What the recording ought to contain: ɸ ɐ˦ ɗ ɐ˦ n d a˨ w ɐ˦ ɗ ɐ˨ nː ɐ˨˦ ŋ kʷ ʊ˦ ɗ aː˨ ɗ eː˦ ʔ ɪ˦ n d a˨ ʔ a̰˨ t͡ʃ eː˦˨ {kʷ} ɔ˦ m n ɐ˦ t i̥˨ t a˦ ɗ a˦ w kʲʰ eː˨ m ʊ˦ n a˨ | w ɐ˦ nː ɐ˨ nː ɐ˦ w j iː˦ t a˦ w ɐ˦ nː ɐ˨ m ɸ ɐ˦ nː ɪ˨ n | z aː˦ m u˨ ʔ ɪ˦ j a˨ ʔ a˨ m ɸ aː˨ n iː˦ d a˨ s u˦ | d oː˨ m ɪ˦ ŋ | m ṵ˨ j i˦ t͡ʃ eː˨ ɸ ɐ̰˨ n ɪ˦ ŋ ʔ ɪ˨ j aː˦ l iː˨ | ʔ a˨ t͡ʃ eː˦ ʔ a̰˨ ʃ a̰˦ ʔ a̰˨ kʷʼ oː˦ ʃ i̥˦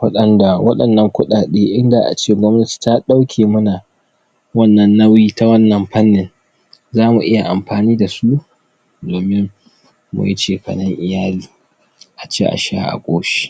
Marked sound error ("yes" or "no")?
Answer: yes